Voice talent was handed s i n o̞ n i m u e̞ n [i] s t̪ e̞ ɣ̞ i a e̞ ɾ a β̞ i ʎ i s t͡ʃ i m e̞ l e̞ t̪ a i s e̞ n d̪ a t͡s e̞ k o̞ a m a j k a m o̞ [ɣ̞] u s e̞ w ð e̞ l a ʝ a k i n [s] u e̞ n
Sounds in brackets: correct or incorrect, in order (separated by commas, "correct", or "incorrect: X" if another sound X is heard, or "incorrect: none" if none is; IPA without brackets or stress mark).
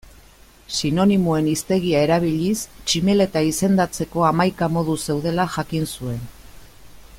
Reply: correct, incorrect: ð̞, correct